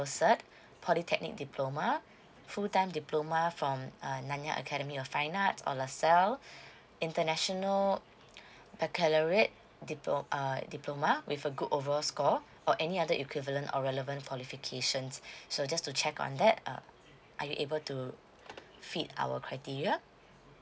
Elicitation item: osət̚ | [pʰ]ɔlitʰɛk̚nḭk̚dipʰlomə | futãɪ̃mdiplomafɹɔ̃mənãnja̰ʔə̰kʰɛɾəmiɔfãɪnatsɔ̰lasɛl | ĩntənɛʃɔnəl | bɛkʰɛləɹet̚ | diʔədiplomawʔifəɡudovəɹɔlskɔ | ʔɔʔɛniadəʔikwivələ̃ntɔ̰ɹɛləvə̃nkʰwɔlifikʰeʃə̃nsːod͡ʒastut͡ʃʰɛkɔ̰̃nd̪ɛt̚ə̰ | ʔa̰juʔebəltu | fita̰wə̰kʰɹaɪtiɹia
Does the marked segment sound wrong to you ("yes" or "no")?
no